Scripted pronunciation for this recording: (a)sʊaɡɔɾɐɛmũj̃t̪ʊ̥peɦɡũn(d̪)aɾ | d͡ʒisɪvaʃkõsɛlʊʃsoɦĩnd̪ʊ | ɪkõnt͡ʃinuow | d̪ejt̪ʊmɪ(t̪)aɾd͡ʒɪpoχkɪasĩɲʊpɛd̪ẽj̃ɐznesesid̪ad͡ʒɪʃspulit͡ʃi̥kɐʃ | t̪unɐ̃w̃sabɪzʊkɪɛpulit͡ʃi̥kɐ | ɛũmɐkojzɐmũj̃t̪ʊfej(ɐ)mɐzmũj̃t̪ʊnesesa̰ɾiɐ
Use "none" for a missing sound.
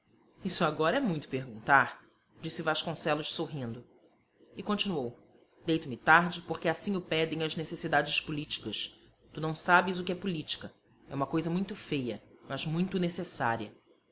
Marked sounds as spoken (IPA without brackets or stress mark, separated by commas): i, t̪, t̪, ɐ